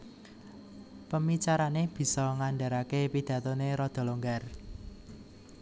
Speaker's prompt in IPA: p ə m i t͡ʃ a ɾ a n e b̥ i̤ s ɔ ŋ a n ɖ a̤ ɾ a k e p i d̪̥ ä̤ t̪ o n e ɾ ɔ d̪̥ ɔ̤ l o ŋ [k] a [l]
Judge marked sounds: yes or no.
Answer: no, no

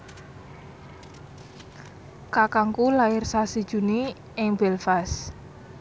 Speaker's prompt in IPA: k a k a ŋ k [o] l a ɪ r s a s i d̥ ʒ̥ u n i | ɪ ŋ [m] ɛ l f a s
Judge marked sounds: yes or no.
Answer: no, no

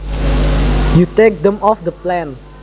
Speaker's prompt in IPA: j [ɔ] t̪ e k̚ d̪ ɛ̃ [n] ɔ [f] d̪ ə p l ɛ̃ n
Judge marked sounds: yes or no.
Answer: no, no, yes

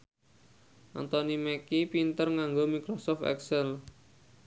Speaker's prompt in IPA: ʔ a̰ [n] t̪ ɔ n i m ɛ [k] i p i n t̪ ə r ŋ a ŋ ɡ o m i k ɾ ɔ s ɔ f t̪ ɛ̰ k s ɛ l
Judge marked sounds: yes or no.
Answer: yes, yes

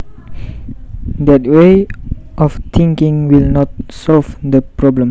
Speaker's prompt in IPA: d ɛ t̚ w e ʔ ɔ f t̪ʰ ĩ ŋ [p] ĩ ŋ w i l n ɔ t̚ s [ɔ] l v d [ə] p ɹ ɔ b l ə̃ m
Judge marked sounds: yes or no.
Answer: no, yes, yes

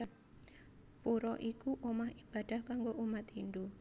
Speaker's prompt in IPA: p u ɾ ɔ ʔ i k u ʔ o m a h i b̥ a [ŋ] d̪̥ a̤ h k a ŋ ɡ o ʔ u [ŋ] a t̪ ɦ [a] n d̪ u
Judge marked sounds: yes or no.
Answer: no, no, no

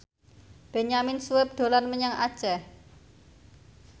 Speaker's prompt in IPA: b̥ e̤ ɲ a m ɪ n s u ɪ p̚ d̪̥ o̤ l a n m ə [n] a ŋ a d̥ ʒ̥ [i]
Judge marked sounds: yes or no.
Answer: no, no

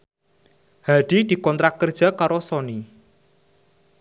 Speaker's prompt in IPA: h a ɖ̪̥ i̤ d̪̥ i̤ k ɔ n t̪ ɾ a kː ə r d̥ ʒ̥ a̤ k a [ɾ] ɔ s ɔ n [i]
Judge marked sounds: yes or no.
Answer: yes, yes

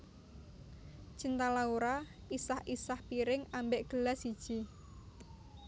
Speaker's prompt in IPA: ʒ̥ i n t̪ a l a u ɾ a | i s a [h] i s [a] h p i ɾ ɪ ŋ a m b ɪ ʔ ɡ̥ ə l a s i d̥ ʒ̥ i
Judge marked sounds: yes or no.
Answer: yes, yes

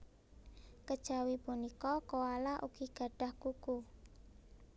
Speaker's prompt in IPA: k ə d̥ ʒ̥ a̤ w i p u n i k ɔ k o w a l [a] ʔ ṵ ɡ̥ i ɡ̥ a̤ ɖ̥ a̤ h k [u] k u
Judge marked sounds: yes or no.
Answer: yes, yes

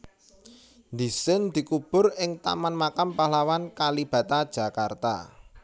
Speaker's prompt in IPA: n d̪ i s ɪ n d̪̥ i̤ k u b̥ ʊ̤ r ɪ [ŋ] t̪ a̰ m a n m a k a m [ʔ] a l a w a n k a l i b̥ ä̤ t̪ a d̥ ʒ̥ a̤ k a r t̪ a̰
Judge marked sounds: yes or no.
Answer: yes, no

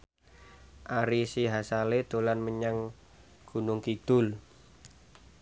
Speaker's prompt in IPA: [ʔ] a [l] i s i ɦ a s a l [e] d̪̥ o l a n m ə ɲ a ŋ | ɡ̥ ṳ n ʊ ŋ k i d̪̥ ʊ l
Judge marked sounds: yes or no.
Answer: yes, no, yes

